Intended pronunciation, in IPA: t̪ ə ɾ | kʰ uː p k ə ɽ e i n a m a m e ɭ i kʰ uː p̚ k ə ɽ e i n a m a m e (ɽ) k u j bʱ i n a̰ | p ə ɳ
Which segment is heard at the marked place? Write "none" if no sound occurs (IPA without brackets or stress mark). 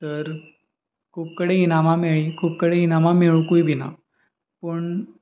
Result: ɭ